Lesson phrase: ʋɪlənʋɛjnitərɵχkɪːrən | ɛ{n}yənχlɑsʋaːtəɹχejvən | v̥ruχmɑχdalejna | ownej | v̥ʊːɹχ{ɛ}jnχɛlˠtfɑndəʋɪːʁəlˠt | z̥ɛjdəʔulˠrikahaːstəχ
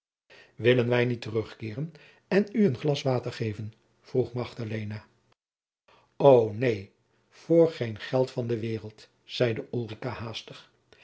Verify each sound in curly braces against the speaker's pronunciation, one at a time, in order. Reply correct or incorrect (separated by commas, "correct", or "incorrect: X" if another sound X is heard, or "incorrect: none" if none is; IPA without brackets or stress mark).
correct, incorrect: e